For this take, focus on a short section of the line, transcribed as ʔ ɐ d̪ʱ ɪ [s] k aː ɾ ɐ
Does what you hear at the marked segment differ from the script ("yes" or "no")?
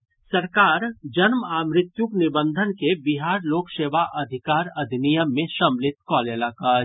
yes